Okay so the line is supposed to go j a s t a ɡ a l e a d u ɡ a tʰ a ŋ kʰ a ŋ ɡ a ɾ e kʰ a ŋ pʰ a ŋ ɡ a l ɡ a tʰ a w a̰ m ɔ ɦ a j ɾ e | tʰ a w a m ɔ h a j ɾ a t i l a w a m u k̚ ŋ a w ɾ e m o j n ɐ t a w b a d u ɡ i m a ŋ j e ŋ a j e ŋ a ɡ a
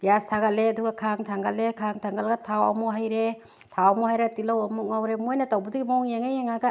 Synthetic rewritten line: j a s tʰ a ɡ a l e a d u ɡ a kʰ a ŋ tʰ a ŋ ɡ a l e kʰ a ŋ tʰ a ŋ ɡ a l ɡ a tʰ a w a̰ m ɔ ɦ a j ɾ e | tʰ a w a m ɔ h a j ɾ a t i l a w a m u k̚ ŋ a w ɾ e m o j n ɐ t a w b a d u ɡ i m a ŋ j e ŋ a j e ŋ a ɡ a